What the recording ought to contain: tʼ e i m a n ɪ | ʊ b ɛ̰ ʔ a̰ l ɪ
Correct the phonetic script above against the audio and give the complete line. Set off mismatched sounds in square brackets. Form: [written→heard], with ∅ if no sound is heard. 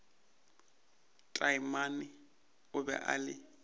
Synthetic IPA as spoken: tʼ [e→a] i m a n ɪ | ʊ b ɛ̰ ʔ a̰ l ɪ